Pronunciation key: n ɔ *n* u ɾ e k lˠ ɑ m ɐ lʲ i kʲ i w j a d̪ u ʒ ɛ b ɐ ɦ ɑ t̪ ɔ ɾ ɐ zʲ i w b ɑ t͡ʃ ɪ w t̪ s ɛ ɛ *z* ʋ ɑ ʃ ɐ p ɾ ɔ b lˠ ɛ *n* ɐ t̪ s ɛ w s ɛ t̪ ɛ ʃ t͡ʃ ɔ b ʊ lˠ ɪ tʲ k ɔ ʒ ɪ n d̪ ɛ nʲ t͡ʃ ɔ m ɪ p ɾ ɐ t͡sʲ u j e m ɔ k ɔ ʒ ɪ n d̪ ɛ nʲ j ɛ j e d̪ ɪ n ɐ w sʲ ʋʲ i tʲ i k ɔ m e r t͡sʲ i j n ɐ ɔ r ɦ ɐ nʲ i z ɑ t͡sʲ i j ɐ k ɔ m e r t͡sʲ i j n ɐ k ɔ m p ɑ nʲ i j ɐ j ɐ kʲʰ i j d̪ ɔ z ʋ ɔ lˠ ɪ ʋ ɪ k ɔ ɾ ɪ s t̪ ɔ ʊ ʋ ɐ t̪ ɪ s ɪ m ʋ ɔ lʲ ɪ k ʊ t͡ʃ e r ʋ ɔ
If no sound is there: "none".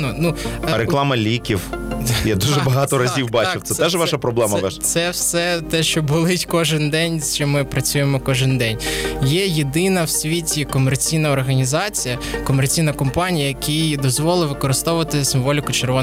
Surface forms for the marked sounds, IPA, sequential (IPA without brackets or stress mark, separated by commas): n, ʒ, m